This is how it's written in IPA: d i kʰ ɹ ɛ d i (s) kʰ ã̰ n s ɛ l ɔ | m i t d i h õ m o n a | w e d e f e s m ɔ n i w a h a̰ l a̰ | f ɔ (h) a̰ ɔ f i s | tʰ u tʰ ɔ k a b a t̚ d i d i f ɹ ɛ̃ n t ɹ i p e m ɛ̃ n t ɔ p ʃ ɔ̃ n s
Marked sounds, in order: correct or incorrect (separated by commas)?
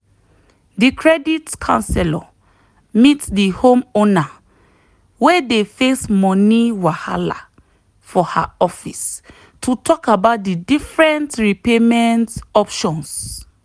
incorrect, correct